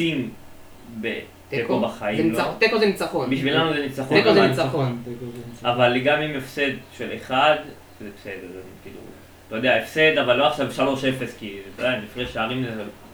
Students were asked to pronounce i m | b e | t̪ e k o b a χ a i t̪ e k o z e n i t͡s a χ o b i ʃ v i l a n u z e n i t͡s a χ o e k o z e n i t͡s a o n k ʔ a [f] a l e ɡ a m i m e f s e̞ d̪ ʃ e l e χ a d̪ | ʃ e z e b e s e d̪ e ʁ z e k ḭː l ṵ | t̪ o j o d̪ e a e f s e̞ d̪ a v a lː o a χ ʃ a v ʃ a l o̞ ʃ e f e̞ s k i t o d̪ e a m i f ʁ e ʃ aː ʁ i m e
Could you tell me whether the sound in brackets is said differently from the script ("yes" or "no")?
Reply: yes